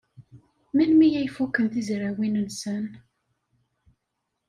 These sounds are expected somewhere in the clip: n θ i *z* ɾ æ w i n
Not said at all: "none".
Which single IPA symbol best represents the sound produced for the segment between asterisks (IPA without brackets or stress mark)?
z